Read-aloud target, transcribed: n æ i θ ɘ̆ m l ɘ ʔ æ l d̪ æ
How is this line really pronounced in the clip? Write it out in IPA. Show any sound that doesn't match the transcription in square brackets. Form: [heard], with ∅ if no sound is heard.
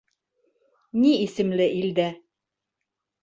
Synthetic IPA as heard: n [i] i [s] ɘ̆ m l ɘ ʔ [i] l d̪ æ